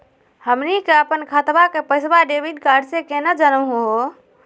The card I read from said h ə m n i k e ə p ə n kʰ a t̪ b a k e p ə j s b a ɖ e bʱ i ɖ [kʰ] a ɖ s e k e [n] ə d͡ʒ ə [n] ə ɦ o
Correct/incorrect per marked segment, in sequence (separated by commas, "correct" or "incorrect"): incorrect, correct, correct